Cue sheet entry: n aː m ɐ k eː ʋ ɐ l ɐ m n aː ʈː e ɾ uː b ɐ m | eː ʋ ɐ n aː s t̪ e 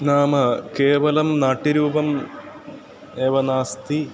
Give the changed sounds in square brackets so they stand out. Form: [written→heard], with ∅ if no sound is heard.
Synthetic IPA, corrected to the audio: n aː m ɐ k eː ʋ ɐ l ɐ m n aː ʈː [e→i] ɾ uː b ɐ m | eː ʋ ɐ n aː s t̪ [e→i]